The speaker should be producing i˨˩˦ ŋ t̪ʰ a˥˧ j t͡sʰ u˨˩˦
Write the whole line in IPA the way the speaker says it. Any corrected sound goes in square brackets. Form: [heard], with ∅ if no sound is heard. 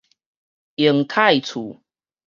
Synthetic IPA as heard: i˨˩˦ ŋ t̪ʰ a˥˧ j t͡sʰ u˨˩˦

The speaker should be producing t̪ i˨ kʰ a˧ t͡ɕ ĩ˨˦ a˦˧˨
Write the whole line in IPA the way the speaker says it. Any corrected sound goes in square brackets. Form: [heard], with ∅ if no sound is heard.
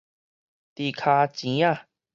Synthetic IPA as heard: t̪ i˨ kʰ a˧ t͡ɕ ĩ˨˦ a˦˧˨

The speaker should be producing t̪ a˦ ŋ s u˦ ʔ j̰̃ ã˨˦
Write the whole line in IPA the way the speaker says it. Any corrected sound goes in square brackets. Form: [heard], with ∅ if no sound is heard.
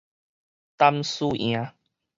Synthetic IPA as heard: t̪ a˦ [m] s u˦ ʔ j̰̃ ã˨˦

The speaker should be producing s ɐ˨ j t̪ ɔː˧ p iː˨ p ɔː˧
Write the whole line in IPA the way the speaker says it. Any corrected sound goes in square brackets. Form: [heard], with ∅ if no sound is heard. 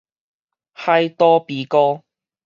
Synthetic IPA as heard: [h] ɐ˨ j t̪ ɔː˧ p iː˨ [k] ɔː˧

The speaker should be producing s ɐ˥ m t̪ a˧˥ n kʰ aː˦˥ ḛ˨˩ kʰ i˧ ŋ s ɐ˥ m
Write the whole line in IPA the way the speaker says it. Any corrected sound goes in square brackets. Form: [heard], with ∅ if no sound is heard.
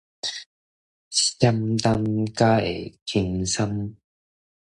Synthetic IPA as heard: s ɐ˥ m t̪ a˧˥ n [k] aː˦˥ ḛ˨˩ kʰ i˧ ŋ s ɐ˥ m

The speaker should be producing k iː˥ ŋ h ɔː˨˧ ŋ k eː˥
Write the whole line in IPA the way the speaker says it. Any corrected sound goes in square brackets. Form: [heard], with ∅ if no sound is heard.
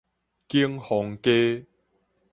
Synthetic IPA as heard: k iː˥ ŋ h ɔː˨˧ ŋ k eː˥

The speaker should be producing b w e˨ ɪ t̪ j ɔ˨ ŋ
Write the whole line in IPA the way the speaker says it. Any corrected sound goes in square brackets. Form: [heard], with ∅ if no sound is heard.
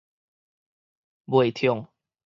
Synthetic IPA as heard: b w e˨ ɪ [t̪ʰ] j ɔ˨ ŋ

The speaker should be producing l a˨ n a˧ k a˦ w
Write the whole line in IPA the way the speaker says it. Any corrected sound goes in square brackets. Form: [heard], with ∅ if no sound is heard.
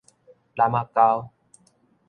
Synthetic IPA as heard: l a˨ [m] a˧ k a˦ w

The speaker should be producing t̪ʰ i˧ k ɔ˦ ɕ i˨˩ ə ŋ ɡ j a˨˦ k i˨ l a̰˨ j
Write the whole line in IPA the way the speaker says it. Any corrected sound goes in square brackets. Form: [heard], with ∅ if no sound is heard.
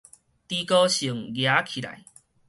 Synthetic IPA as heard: [t̪] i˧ k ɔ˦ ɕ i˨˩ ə ŋ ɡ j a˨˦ [kʰ] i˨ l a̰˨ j

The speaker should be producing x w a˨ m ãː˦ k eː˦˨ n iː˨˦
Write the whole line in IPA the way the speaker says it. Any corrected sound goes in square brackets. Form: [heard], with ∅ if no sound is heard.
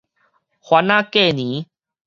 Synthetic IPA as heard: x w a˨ [n] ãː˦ k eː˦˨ n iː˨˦

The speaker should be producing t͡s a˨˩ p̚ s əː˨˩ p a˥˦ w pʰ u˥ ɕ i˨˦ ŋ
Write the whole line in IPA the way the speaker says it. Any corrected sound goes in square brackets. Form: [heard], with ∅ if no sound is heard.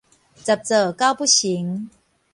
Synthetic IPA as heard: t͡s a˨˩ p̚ [t͡s] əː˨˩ [k] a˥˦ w [p] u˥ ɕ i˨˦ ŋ

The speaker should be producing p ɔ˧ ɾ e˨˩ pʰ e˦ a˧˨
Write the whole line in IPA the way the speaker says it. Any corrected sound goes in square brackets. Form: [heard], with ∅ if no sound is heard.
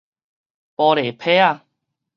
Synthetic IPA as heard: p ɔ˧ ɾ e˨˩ pʰ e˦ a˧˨

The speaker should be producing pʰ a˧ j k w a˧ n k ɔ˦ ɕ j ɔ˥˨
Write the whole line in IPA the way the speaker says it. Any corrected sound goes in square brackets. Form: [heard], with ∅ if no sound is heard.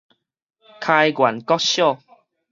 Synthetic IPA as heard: [kʰ] a˧ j [ɡ] w [a˨˩] n k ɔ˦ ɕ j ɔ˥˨

